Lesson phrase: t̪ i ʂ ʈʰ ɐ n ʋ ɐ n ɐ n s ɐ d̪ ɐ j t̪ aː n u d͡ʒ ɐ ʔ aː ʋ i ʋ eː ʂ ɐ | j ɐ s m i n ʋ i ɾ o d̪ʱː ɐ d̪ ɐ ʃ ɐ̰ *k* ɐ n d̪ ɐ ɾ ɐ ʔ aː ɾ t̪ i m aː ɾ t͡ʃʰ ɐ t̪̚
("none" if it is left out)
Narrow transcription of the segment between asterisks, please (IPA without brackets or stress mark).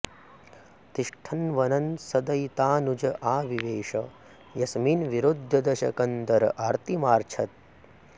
k